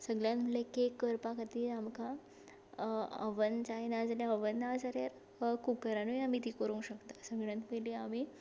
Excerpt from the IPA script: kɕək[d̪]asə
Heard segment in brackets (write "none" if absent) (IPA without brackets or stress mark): t̪